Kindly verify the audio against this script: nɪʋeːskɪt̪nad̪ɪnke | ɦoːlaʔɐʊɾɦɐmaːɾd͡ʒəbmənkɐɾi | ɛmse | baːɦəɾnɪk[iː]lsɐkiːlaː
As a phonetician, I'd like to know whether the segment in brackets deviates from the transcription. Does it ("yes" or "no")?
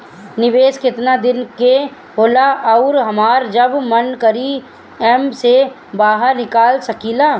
yes